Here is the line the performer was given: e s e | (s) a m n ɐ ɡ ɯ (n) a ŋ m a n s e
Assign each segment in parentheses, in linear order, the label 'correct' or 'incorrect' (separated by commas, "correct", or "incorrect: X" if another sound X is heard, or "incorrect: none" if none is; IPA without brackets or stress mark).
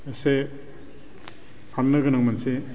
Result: correct, correct